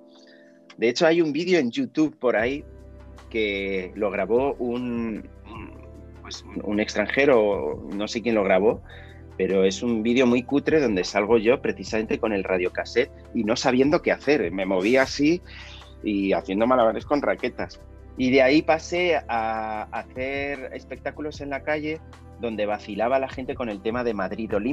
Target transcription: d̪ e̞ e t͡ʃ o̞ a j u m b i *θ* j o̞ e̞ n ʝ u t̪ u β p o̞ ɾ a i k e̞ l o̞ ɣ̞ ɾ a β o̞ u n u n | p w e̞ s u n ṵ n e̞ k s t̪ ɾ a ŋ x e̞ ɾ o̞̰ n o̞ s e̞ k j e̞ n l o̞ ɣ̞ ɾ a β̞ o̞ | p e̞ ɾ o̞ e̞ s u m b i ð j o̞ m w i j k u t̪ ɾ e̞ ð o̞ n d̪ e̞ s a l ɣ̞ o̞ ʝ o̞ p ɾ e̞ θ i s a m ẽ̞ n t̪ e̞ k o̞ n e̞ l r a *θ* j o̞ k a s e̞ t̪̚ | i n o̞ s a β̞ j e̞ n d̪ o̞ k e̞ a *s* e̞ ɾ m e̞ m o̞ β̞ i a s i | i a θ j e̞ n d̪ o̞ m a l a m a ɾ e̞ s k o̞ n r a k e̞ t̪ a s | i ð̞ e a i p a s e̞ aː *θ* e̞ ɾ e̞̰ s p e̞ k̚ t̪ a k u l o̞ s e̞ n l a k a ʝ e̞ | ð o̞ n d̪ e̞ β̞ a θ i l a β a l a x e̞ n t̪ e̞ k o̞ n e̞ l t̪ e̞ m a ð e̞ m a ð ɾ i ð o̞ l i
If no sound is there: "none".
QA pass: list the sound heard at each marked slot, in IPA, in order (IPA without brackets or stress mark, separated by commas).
ð, ð, θ, θ